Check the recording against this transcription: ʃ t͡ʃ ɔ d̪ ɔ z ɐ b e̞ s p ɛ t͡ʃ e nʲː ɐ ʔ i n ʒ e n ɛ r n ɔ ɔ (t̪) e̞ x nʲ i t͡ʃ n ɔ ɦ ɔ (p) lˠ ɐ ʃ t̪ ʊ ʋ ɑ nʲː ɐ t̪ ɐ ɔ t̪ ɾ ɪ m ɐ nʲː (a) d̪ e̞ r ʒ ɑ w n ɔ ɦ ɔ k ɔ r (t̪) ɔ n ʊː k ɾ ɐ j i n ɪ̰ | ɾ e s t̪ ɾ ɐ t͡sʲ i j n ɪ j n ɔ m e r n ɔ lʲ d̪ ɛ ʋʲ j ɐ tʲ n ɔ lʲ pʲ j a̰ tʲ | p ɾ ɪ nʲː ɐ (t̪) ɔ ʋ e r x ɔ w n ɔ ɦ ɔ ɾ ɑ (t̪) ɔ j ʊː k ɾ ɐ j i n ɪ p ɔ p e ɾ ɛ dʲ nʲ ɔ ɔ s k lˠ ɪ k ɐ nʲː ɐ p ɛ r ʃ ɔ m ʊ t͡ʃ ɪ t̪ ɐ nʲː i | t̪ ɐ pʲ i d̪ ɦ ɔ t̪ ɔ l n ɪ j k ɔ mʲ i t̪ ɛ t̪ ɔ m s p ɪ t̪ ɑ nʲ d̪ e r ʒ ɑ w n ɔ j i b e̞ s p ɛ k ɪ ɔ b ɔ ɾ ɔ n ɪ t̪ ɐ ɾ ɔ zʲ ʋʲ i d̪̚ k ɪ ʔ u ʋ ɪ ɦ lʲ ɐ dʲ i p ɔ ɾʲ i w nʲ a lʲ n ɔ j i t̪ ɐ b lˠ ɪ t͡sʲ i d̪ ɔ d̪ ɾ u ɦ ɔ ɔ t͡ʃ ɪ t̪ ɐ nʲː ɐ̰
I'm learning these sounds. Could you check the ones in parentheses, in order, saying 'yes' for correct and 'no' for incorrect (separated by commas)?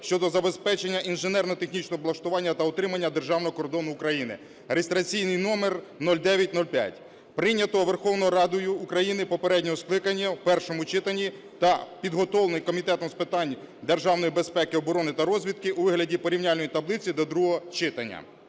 yes, no, no, no, yes, no